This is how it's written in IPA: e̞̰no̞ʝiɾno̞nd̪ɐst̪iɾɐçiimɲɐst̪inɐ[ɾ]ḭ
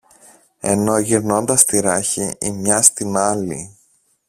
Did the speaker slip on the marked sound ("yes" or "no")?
yes